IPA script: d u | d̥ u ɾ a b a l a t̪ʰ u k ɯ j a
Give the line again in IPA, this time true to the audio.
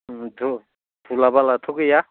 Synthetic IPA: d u | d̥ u l a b a l a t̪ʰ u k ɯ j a